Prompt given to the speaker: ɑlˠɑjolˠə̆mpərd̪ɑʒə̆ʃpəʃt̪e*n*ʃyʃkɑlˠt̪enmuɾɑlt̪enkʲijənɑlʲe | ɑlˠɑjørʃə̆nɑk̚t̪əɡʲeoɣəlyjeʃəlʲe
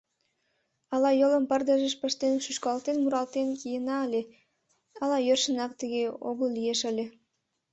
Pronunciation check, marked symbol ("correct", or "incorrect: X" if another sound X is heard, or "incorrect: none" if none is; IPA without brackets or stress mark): correct